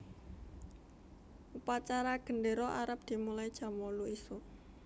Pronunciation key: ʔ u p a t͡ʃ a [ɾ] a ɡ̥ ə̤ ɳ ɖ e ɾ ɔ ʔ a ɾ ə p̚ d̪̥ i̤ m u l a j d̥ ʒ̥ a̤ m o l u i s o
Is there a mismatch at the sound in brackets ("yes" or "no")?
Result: no